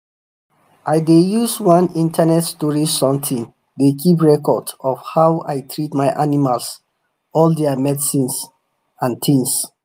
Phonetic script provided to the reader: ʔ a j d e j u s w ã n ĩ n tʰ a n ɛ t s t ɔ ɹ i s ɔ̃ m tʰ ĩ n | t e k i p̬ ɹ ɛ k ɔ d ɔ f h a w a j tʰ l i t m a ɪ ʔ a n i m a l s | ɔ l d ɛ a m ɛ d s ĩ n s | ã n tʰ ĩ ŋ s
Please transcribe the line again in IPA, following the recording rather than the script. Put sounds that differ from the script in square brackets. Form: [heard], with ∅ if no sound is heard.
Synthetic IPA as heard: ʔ a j d e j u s w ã n ĩ n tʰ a n ɛ t s t ɔ ɹ i s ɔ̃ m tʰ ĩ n | [d] e k i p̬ ɹ ɛ k ɔ d ɔ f h a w a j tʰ [ɹ] i t m a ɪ ʔ a n i m a l s | ɔ l d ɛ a m ɛ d s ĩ n s | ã n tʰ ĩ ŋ s